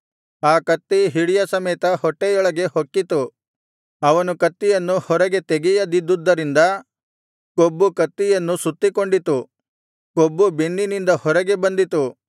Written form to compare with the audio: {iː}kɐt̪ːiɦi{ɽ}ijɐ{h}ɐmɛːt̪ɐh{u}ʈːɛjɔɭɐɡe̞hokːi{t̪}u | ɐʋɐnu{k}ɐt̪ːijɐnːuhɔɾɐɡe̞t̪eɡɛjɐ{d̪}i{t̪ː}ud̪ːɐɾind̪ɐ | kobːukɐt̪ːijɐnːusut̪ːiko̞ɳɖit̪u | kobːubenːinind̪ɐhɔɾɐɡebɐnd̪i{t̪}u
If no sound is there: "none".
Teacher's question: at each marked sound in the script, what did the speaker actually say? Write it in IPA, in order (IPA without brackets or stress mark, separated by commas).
aː, ɽ, s, ɔ, t̪, k, d̪, d̪ː, t̪